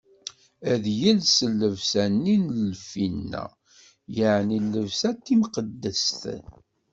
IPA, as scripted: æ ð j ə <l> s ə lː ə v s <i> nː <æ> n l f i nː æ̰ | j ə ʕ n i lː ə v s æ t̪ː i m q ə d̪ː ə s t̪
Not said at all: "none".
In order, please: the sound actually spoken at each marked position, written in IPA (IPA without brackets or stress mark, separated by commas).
l, æ, i